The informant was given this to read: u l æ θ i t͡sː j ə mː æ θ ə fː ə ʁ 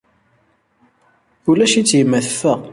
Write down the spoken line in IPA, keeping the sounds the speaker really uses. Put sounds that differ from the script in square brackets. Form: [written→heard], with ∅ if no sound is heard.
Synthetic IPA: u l æ [θ→ʃ] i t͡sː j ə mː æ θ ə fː ə ʁ